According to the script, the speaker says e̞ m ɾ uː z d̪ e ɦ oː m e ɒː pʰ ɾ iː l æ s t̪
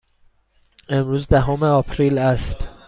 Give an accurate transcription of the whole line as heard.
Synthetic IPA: e̞ m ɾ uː z d̪ æ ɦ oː m e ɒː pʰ ɾ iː l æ s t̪